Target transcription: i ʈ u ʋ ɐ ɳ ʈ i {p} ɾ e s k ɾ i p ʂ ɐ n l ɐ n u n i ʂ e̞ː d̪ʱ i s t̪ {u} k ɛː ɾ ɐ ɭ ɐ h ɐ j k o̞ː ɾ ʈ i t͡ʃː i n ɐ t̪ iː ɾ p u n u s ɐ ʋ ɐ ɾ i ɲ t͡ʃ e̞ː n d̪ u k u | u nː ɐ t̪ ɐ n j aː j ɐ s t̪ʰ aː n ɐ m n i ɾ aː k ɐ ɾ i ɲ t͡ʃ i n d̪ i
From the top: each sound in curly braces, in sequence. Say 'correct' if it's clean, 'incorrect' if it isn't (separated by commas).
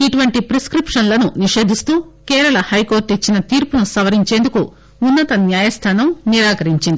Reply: correct, incorrect